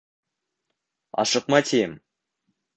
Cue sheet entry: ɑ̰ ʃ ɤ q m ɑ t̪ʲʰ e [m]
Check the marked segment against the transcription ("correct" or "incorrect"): correct